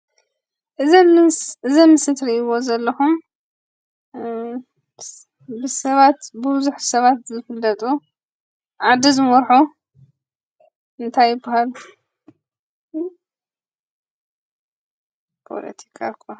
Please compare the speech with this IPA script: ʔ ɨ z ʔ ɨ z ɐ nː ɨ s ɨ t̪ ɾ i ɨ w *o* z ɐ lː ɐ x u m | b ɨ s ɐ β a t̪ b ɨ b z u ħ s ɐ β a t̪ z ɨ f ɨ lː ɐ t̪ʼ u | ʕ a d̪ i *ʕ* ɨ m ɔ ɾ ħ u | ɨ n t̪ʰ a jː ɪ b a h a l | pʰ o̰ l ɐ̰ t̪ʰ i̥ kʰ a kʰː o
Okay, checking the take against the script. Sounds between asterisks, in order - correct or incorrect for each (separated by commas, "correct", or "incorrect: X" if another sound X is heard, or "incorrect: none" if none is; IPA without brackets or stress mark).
correct, incorrect: z